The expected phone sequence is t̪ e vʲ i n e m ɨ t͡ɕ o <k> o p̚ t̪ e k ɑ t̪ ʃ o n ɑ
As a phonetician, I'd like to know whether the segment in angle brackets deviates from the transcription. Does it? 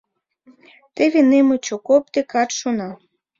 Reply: no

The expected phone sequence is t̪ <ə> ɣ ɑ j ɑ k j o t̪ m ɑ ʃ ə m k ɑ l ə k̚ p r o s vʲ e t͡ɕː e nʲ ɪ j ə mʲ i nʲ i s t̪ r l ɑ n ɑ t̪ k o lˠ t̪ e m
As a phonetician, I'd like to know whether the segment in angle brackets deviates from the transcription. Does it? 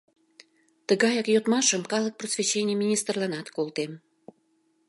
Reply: no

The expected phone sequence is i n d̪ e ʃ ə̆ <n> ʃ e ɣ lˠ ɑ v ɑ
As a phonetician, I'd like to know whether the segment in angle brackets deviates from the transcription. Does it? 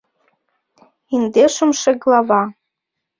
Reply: yes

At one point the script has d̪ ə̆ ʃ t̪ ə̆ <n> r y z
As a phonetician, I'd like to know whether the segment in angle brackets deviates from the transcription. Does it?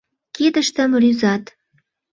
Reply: yes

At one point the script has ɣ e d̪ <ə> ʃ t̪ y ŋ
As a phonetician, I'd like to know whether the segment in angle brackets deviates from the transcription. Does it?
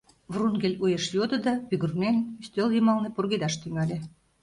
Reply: yes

